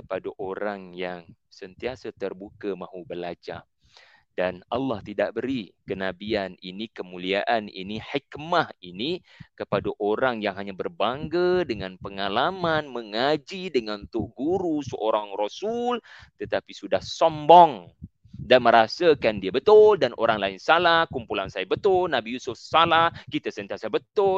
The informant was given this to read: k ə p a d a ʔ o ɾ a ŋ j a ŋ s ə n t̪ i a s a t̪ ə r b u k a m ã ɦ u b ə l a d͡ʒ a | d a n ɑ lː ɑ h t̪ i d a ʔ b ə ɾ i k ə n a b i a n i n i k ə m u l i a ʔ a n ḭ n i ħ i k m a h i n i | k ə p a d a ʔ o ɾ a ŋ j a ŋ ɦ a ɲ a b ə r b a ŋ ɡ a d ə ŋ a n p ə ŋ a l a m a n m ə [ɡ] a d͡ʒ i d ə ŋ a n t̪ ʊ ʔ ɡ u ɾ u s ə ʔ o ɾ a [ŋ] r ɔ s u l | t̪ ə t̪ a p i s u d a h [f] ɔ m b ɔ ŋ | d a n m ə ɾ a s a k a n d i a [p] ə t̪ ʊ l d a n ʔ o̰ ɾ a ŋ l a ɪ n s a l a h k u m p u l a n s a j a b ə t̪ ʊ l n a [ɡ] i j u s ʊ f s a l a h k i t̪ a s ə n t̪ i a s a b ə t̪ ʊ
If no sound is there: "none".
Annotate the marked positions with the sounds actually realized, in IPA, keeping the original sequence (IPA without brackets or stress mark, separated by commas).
ŋ, ŋ, s, b, b